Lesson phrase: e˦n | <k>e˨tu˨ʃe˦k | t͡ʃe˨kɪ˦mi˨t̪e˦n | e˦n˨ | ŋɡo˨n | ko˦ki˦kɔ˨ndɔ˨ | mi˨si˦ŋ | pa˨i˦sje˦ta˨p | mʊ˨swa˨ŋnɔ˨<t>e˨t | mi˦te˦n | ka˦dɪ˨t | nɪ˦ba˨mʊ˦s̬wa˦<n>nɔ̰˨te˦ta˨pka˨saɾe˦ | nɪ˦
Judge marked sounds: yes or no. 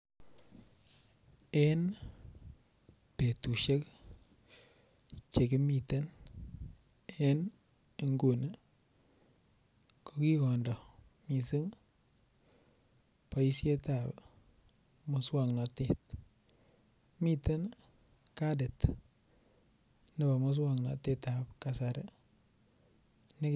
no, yes, no

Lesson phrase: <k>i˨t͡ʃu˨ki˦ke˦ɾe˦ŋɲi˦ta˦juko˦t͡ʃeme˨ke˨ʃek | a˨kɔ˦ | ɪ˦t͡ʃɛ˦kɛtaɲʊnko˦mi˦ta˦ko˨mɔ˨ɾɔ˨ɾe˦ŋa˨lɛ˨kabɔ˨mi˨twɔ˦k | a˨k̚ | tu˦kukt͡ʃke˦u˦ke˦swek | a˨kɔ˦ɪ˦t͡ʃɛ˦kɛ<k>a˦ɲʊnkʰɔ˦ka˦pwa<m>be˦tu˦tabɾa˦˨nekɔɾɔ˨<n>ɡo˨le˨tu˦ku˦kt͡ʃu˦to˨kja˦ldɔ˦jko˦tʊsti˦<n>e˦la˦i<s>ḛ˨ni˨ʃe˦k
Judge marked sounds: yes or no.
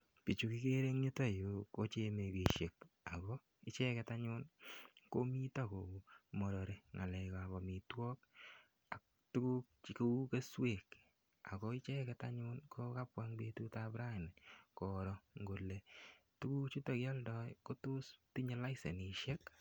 no, no, no, no, no, yes

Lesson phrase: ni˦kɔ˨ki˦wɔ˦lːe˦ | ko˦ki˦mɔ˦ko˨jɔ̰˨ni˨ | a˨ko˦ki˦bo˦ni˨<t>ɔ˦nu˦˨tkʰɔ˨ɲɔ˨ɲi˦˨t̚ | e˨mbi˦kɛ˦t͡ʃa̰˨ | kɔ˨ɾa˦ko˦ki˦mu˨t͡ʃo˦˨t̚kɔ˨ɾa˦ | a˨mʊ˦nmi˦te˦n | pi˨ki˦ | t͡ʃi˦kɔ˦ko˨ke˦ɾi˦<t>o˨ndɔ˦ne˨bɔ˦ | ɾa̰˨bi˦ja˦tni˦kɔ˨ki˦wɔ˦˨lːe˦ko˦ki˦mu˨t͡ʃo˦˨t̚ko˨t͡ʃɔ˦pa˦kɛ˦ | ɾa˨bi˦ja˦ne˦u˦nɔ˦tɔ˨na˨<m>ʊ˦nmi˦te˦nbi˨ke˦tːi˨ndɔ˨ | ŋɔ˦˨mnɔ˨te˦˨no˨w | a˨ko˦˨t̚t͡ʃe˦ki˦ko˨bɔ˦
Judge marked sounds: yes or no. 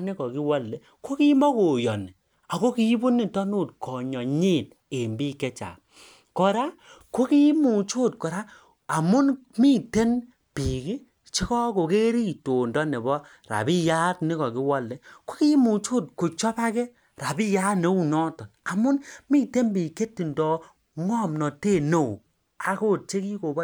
yes, yes, yes

